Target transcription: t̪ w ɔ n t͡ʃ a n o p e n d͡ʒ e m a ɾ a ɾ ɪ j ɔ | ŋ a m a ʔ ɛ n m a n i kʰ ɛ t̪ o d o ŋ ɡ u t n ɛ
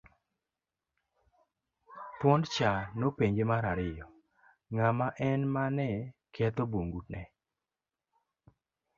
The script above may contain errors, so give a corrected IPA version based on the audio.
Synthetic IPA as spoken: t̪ w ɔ n t͡ʃ a n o p e ɲ d͡ʒ e m a ɾ a ɾ ɪ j ɔ | ŋ a m a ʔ ɛ n m a n ɛ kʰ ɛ t̪ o b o ŋ ɡ u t n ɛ

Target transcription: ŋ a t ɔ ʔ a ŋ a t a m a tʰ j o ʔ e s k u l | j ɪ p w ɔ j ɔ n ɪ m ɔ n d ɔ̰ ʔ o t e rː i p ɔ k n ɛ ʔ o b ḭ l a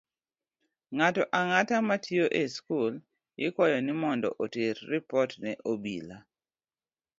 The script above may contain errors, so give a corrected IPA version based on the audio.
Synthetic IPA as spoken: ŋ a t ɔ ʔ a ŋ a t a m a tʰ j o ʔ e s k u l | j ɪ k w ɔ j ɔ n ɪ m ɔ n d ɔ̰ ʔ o t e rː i p ɔ t n ɛ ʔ o b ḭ l a

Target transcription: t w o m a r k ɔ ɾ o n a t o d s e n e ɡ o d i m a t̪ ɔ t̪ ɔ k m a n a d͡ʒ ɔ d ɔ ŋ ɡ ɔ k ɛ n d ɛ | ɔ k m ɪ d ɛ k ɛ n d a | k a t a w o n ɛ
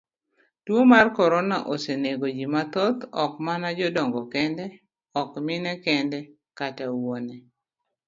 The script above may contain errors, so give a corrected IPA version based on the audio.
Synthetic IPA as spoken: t w o m a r k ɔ ɾ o n a ʔ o s e n e ɡ o d͡ʒ i m a t̪ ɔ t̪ ɔ k m a n a d͡ʒ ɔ d ɔ ŋ ɡ ɔ k ɛ n d ɛ | ɔ k m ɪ n ɛ k ɛ n d ɛ | k a t a w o n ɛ

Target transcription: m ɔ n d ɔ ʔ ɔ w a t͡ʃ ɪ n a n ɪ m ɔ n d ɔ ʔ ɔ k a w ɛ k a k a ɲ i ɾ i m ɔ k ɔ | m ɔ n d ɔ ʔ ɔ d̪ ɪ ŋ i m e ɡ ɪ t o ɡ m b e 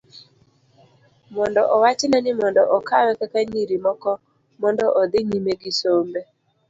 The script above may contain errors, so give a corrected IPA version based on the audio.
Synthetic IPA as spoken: m ɔ n d ɔ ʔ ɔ w a t͡ʃ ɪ n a n ɪ m ɔ n d ɔ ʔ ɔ k a w ɛ k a k a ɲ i ɾ i m ɔ k ɔ | m ɔ n d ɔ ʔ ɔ d̪ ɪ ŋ i m e ɡ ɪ s o m b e

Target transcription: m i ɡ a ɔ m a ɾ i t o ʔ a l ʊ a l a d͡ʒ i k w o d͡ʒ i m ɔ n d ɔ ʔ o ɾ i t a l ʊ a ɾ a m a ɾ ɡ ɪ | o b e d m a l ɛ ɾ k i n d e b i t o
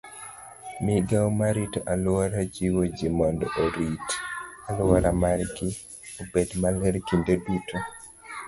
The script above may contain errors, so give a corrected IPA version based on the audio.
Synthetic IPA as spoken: m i ɡ a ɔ m a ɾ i t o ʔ a l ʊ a ɾ a d͡ʒ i w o d͡ʒ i m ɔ n d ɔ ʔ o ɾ i t a l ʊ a ɾ a m a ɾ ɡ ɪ | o b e d m a l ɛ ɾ k i n d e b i t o

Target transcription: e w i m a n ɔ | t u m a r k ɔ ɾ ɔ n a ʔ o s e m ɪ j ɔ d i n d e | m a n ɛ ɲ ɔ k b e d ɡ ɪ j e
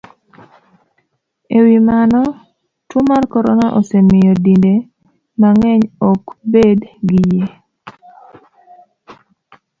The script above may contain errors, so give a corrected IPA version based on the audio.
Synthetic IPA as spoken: e w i m a n ɔ | t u m a r k ɔ ɾ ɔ n a ʔ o s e m ɪ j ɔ d i n d e | m a ŋ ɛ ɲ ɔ k b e d ɡ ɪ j e

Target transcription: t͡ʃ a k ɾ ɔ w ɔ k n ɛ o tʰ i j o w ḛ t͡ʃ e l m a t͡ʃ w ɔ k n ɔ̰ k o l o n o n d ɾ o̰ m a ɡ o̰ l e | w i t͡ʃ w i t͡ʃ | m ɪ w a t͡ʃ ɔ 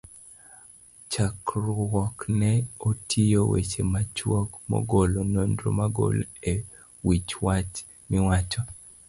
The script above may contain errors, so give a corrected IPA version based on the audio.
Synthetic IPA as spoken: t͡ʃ a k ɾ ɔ w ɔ k n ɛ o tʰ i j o w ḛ t͡ʃ e m a t͡ʃ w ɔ k m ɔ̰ ɡ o l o n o n d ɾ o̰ m a ɡ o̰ l e | w i t͡ʃ w a t͡ʃ | m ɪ w a t͡ʃ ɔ

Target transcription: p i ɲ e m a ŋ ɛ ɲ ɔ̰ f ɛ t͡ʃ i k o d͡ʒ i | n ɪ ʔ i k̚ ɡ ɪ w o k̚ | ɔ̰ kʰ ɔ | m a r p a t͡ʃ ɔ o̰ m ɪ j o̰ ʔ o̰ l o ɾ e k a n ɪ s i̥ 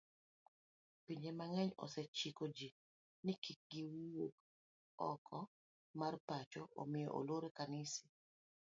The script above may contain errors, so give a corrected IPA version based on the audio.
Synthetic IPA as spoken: p i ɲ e m a ŋ ɛ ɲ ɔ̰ s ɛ t͡ʃ i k o d͡ʒ i | n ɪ k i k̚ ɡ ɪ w o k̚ | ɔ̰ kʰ ɔ | m a r p a t͡ʃ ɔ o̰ m ɪ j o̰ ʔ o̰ l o ɾ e k a n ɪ s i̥

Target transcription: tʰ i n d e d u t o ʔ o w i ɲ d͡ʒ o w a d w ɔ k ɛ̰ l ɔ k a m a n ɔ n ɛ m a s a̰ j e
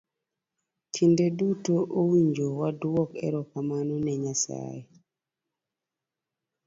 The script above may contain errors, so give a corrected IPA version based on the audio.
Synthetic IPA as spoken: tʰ i n d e d u t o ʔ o w i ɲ d͡ʒ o w a d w ɔ k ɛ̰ ɾ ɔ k a m a n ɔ n ɛ ɲ a s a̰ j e

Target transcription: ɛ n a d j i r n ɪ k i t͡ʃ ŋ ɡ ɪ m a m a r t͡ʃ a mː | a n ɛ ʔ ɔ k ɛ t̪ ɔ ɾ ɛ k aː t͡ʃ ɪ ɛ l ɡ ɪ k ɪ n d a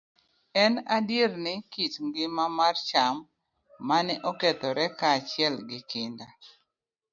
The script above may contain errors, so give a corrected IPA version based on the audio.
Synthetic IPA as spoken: ɛ n a d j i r n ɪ k i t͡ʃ ŋ ɡ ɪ m a m a r t͡ʃ a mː | a n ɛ ʔ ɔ k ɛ t̪ ɔ ɾ ɛ k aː t͡ʃ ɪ ɛ l ɡ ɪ k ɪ n d a

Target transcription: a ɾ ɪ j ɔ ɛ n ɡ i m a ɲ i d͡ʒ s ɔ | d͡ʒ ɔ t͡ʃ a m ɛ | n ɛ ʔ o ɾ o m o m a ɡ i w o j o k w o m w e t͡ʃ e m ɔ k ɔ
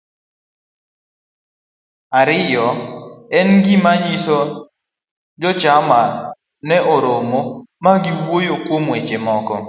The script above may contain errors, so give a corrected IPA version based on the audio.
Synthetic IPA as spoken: a ɾ ɪ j ɔ ɛ n ɡ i m a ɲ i s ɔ | d͡ʒ ɔ t͡ʃ a m a | n ɛ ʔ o ɾ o m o m a ɡ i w o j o k w o m w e t͡ʃ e m ɔ k ɔ

